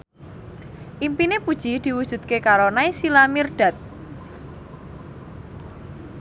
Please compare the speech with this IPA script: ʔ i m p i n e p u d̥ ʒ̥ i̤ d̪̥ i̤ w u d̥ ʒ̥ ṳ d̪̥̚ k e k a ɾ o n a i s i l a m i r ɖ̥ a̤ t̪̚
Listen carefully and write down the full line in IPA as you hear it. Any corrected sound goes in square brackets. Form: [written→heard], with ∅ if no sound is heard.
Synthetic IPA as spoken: ʔ i m p i n e p u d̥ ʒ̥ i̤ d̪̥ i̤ w u d̥ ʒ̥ ṳ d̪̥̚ k e k a ɾ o n a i s i l a m i r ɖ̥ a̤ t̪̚